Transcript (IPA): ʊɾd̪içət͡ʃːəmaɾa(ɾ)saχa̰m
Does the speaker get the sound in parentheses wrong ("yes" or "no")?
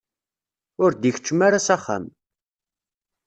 yes